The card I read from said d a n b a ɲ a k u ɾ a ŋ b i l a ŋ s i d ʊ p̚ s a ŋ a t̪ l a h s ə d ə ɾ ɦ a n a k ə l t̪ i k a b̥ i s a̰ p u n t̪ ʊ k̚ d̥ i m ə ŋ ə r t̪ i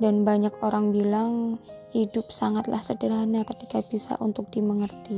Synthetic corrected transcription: d a n b a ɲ a k o ɾ a ŋ b i l a ŋ h i d ʊ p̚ s a ŋ a t̪ l a h s ə d ə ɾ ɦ a n a k ə t̪ i k a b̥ i s a̰ ʔ u n t̪ ʊ k̚ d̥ i m ə ŋ ə r t̪ i